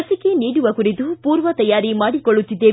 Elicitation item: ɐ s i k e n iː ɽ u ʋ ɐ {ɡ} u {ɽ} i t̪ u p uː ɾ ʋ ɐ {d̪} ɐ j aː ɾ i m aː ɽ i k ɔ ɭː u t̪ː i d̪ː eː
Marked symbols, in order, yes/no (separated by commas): no, no, no